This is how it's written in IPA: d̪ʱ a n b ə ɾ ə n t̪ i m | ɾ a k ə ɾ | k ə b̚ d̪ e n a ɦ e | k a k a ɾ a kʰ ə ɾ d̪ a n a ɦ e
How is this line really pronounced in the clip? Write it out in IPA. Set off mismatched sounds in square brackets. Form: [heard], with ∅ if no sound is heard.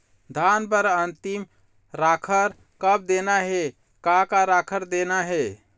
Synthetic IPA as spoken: d̪ʱ a n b ə ɾ ə n t̪ i m | ɾ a [kʰ] ə ɾ | k ə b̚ d̪ e n a ɦ e | k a k a ɾ a kʰ ə ɾ d̪ [e] n a ɦ e